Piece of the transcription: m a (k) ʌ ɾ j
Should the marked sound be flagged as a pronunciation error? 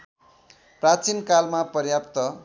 yes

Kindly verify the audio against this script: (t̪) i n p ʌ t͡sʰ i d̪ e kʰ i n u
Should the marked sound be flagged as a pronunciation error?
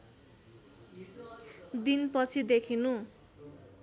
yes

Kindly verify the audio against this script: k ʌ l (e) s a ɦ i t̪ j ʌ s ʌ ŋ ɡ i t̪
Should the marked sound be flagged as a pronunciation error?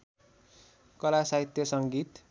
yes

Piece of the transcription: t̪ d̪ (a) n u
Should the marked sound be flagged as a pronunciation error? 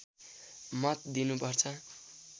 yes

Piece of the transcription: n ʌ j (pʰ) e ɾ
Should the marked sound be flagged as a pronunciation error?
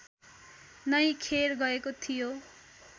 yes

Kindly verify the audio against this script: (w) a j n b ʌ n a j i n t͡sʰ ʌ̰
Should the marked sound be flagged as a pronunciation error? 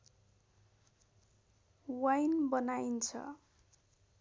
no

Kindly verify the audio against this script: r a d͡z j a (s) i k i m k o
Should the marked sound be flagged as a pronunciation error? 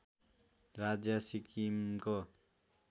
no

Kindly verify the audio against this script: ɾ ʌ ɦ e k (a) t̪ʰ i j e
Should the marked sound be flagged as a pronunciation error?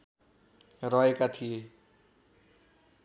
no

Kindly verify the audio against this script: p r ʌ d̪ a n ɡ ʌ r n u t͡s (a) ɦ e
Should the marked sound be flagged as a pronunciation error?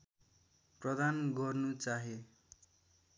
no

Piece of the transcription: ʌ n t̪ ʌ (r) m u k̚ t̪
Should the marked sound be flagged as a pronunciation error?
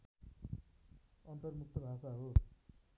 no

